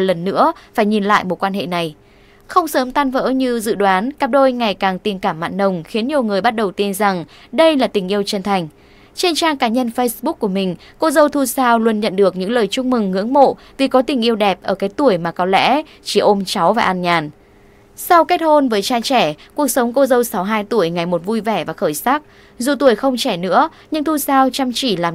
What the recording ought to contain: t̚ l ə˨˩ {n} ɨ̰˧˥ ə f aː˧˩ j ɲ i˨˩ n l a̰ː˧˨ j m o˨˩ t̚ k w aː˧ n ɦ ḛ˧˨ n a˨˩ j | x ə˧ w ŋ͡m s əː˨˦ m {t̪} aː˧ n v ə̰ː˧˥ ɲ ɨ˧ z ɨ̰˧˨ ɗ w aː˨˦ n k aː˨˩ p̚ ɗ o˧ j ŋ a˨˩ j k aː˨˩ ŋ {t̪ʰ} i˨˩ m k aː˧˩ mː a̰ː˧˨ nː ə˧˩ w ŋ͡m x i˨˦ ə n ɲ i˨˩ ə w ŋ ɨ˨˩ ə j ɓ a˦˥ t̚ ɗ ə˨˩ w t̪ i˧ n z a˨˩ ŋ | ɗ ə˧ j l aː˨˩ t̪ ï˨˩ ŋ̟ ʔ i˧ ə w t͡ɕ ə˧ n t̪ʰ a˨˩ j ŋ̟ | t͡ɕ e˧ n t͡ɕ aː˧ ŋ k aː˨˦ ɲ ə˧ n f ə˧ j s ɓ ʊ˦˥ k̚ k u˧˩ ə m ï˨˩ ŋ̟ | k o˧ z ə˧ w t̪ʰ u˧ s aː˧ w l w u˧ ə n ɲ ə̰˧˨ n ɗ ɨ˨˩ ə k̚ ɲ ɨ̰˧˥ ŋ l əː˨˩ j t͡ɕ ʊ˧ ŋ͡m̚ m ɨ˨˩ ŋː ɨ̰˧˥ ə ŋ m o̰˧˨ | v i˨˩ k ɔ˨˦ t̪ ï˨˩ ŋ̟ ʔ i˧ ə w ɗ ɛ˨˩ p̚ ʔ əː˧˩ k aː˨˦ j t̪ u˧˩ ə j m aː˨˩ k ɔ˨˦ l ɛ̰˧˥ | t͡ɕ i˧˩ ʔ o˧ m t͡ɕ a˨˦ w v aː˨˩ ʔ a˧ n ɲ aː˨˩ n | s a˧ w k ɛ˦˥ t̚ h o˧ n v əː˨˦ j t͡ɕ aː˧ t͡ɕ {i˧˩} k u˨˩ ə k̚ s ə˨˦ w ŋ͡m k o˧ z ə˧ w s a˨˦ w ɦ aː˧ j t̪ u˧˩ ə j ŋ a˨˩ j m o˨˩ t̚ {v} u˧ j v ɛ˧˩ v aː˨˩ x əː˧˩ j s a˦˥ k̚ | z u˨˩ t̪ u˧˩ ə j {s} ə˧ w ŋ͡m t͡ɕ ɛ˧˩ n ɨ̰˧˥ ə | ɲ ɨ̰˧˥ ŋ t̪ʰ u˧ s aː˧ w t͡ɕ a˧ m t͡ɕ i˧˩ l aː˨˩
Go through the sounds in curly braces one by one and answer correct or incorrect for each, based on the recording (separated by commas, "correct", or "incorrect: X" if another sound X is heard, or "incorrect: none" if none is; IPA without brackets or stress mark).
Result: incorrect: nː, correct, incorrect: t̪, incorrect: ɛ˧˩, correct, incorrect: x